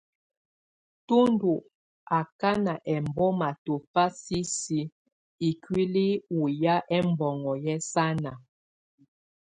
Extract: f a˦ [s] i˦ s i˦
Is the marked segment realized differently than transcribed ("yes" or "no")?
no